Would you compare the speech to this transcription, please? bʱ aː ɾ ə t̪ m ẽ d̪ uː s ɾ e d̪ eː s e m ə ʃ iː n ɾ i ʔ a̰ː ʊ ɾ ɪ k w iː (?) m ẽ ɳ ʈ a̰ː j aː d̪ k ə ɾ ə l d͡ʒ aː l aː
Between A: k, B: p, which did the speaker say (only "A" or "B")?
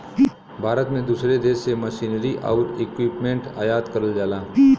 B